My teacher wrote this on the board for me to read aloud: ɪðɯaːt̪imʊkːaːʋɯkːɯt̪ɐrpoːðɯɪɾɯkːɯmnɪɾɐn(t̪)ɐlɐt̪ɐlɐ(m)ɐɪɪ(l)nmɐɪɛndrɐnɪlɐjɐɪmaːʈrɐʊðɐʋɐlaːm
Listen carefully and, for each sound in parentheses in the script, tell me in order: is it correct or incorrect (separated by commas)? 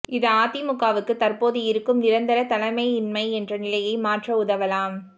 incorrect, correct, incorrect